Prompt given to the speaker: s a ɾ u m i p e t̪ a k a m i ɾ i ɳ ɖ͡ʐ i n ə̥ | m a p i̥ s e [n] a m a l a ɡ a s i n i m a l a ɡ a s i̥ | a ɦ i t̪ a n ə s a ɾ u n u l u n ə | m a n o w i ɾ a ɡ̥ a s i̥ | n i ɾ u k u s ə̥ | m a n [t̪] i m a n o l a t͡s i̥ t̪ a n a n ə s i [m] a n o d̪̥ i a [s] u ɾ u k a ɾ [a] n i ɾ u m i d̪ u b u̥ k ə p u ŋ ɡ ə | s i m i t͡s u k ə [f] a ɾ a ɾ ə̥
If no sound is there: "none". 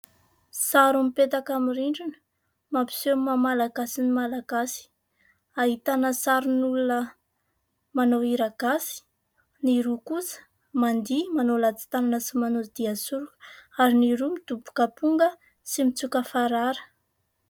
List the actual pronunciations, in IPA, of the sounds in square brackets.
m, d̪, m, s, i, f

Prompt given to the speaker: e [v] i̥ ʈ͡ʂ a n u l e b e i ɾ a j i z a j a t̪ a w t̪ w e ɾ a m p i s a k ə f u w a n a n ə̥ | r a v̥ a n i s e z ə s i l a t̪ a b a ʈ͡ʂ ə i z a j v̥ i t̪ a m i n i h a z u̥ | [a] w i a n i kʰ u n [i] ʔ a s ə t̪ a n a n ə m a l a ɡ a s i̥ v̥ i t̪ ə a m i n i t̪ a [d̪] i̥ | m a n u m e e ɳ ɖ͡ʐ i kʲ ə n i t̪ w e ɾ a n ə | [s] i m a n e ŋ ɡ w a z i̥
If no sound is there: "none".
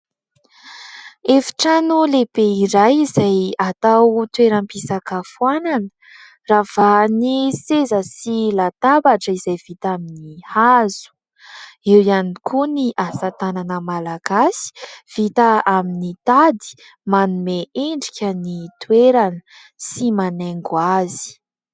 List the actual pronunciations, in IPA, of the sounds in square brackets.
f, e, i, d̪, s

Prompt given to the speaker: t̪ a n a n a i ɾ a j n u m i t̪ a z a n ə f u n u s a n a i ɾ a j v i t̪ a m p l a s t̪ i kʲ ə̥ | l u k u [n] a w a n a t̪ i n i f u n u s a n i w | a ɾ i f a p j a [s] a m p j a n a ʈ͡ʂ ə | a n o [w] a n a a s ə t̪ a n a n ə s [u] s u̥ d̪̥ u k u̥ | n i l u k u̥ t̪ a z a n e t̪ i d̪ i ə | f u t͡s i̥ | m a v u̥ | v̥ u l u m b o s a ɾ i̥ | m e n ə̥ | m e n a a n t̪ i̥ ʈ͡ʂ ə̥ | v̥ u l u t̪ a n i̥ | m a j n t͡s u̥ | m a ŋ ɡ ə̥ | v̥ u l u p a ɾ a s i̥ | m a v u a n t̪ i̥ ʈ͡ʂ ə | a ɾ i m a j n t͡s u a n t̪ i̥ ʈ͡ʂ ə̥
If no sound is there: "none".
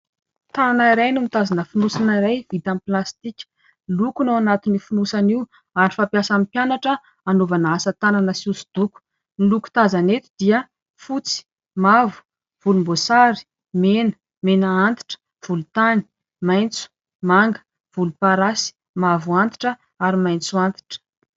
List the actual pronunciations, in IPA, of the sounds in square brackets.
n, s, v, u

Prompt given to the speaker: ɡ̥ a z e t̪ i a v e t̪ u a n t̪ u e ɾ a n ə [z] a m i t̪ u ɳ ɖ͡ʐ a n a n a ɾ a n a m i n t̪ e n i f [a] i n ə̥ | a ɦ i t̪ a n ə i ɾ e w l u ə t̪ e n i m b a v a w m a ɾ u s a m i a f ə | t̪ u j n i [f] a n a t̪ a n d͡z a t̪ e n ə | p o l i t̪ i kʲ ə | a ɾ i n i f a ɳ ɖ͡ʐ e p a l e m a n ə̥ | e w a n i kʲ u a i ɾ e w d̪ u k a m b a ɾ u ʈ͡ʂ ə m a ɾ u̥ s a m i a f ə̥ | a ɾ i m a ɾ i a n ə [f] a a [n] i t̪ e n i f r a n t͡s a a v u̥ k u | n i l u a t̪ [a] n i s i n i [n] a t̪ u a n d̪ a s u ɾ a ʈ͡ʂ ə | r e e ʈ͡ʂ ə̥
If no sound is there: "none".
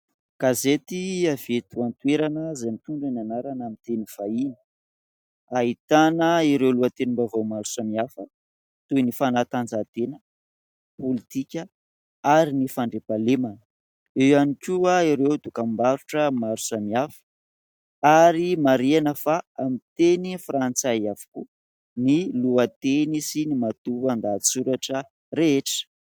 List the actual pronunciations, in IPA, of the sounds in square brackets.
z, a, f, f, m, e, m

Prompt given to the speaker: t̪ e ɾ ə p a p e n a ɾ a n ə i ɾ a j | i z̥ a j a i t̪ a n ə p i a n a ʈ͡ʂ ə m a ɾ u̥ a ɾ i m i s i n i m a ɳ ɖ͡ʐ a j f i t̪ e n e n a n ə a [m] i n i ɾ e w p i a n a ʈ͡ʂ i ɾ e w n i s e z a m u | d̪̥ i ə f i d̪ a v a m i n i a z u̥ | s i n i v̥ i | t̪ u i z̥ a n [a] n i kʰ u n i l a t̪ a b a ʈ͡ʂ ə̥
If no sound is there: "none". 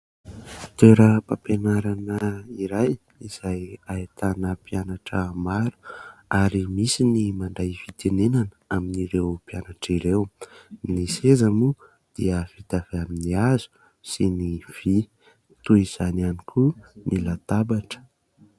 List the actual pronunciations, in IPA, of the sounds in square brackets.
m, a

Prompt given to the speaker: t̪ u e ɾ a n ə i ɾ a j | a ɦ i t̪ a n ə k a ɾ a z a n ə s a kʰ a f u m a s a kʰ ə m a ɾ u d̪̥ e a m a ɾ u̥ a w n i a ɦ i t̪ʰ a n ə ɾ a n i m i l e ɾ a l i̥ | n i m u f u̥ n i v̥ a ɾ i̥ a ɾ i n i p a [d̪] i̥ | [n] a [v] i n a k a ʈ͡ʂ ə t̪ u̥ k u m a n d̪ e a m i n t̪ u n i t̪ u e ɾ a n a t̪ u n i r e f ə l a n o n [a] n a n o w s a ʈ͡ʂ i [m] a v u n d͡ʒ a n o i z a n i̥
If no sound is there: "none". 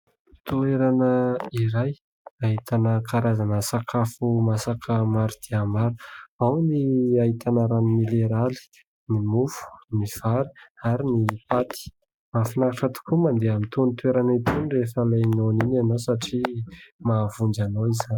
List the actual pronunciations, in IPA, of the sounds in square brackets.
t̪, m, f, i, m

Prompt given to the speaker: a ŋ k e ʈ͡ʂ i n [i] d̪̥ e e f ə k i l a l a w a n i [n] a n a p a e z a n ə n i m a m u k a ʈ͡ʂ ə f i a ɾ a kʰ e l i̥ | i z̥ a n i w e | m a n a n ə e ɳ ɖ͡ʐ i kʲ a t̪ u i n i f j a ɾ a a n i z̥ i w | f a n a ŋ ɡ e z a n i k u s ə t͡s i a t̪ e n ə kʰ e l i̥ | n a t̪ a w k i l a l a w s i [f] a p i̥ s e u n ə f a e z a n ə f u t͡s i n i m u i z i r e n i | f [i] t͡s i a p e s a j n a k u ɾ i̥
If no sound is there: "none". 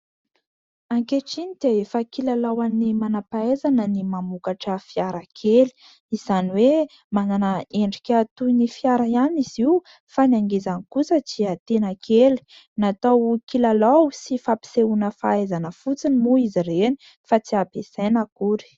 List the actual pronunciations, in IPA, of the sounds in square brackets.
i, m, f, a

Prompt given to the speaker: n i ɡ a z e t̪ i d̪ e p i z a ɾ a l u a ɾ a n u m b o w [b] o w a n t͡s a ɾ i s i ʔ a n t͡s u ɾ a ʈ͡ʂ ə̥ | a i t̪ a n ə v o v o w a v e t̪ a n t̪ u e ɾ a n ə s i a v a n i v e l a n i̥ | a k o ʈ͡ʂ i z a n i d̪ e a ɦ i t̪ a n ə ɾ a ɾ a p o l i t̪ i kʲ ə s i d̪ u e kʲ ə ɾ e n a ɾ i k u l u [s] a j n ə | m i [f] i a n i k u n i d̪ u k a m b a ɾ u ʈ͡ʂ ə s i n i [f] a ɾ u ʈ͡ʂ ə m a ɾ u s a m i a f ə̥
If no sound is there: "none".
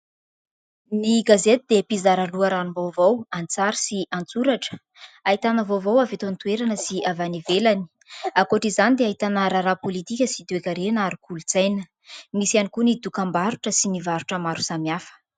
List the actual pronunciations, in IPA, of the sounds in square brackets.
v, t͡s, s, v

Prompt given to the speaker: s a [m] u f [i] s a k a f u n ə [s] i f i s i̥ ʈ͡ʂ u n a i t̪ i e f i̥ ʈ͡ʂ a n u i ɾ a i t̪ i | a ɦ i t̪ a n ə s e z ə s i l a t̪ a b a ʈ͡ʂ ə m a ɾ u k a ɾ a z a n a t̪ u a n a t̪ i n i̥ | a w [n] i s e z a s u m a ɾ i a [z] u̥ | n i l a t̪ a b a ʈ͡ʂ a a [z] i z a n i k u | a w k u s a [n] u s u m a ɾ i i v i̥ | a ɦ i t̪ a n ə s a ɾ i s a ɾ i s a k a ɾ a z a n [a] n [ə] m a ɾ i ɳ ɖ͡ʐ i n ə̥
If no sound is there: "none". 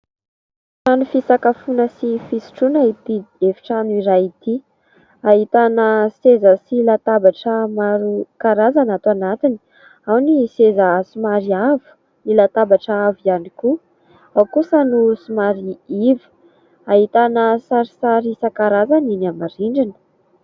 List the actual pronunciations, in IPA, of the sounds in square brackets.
n, i, s, n, v, v, n, i, a

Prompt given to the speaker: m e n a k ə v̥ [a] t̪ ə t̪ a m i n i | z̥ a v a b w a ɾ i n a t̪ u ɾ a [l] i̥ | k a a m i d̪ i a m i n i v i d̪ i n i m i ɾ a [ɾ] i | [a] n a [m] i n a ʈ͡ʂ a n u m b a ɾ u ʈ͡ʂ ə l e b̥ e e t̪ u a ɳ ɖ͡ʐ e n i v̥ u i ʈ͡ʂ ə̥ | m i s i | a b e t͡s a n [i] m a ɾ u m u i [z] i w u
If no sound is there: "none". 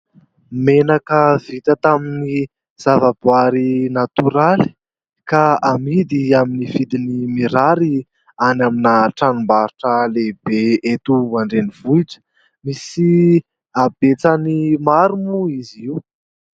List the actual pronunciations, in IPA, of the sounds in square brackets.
i, l, ɾ, a, m, i, z

